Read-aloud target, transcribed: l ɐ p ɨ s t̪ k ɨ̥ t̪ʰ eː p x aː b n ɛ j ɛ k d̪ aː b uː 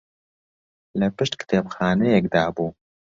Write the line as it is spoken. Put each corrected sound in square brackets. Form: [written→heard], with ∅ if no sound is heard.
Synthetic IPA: l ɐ p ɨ [s→ʃ] t̪ k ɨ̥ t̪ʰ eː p x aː [b→∅] n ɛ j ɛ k d̪ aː b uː